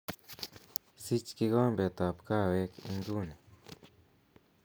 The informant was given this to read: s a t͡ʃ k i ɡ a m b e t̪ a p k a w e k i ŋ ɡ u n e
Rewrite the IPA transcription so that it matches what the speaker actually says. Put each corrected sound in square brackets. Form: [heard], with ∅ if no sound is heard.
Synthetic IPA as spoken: s [i] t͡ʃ k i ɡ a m b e t̪ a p k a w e k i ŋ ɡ u n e